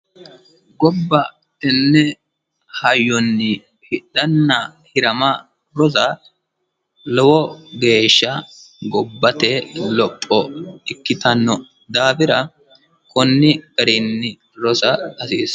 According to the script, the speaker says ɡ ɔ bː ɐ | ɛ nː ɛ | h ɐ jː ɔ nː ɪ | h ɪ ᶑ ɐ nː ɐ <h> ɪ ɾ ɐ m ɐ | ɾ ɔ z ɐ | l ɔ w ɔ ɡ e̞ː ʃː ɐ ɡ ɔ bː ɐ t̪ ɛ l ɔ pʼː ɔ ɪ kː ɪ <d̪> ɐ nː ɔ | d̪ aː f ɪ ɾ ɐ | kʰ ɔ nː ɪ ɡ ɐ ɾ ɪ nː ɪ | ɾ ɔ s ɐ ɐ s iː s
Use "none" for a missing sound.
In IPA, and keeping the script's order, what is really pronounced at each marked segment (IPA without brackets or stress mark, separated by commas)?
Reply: h, t̪